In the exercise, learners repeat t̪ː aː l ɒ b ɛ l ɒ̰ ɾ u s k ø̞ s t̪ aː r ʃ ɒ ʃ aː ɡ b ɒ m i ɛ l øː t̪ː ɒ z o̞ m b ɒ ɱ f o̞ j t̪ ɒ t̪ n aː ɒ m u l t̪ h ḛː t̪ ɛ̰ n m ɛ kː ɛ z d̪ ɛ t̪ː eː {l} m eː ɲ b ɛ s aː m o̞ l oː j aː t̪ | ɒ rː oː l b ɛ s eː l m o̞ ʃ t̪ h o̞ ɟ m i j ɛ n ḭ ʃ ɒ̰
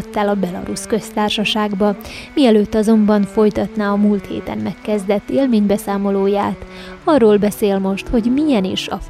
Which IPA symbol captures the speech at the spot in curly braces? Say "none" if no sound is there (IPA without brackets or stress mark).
l